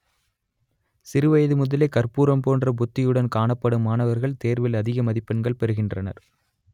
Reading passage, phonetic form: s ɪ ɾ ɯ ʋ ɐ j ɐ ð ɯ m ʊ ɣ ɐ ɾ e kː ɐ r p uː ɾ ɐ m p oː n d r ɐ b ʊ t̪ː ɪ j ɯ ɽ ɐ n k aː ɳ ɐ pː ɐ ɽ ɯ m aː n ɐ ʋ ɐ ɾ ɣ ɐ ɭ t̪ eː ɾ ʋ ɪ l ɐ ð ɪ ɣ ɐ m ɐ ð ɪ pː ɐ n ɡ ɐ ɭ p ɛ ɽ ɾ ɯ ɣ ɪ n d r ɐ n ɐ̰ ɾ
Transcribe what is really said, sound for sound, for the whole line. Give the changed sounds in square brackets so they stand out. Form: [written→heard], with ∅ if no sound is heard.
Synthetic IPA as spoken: s ɪ ɾ ɯ ʋ ɐ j ɐ ð ɯ m ʊ [ɣ→ð] ɐ [ɾ→l] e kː ɐ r p uː ɾ ɐ m p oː n d r ɐ b ʊ t̪ː ɪ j ɯ ɽ ɐ n k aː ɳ ɐ pː ɐ ɽ ɯ m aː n ɐ ʋ ɐ ɾ ɣ ɐ ɭ t̪ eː ɾ ʋ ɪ l ɐ ð ɪ ɣ ɐ m ɐ ð ɪ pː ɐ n ɡ ɐ ɭ p ɛ [ɽ→∅] ɾ ɯ ɣ ɪ n d r ɐ n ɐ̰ ɾ